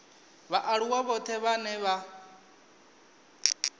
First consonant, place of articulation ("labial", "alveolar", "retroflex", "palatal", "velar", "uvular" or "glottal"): labial